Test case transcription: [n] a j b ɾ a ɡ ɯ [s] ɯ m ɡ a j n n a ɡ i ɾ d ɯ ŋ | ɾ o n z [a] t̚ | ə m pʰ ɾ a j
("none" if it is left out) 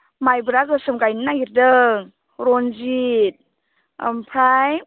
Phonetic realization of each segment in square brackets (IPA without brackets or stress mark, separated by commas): m, s, i